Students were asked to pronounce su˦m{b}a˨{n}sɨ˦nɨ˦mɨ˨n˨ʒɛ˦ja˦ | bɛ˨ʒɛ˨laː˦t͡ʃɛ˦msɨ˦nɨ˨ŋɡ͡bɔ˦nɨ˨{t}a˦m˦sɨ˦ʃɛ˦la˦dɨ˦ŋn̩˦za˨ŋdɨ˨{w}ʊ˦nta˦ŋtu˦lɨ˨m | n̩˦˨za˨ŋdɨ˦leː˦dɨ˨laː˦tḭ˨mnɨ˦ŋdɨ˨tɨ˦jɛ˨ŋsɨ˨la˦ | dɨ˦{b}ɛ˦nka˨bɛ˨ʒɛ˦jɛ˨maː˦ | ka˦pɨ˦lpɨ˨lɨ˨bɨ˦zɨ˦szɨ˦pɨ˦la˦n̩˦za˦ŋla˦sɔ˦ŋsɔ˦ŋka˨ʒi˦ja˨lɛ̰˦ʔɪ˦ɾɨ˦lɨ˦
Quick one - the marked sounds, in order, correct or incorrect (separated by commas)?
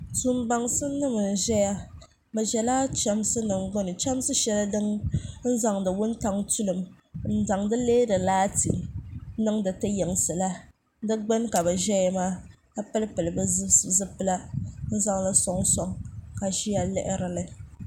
correct, incorrect, incorrect, correct, incorrect